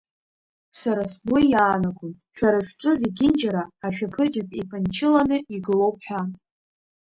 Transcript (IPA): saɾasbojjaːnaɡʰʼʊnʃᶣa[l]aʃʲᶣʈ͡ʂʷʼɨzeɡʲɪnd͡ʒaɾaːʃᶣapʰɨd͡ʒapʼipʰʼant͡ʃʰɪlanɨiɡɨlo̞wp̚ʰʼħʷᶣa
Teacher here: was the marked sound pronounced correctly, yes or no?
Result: no